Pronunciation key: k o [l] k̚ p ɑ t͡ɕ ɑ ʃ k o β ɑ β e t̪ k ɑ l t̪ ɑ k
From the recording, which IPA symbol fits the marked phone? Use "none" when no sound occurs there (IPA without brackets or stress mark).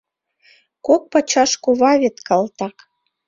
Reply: none